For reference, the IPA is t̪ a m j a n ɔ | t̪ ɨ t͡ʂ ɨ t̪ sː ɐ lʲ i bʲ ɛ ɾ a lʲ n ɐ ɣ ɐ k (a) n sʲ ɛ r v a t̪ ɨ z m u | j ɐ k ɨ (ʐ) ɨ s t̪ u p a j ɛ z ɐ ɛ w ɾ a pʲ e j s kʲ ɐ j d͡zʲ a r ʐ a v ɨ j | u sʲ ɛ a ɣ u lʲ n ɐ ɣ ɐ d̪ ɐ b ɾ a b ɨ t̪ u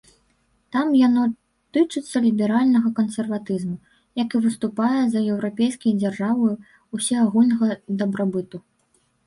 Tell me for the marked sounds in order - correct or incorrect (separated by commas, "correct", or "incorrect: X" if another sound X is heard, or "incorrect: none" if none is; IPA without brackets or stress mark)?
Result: incorrect: ɐ, incorrect: v